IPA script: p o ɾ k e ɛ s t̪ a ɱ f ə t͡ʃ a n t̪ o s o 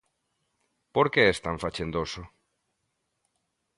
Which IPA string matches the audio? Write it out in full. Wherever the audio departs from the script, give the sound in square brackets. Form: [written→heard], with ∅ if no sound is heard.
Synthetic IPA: p o ɾ k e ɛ s t̪ a ɱ f [ə→a] t͡ʃ [a→e] n [t̪→d̪] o s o